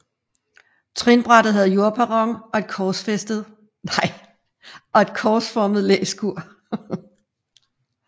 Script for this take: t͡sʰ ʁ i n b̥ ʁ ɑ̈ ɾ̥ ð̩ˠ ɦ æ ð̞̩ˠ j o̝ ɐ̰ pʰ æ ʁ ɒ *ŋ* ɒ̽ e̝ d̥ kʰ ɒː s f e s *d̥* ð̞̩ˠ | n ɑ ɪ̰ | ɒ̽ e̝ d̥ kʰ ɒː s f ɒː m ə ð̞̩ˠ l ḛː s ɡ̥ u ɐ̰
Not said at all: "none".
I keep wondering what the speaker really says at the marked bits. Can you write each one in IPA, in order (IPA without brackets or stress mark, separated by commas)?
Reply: ŋ, d̥